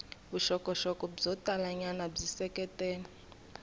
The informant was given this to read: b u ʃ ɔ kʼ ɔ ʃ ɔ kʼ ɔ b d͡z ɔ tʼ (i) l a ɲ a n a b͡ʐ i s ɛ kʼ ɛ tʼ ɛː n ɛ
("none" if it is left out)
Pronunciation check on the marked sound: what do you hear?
a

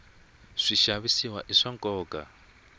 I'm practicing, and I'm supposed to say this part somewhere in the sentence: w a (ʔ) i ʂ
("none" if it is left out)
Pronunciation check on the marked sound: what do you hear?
ʔ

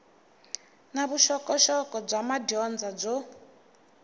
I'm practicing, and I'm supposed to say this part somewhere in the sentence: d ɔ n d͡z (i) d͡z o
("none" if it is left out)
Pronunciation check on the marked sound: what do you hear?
a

